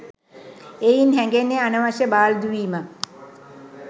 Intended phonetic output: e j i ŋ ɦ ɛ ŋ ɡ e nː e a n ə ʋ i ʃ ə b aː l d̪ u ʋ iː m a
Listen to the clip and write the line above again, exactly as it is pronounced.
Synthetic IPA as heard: e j i n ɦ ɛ ŋ ɡ e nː e a n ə ʋ a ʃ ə b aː l d̪ u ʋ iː m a